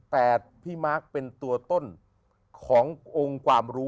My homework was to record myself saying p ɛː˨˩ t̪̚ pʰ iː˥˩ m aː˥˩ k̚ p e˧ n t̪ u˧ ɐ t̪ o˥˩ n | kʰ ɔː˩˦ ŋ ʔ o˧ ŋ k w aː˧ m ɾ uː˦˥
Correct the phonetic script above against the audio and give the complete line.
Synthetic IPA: p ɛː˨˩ t̪̚ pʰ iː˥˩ m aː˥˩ k̚ p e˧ n t̪ u˧ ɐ t̪ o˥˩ n | kʰ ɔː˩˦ ŋ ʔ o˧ ŋ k w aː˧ m ɾ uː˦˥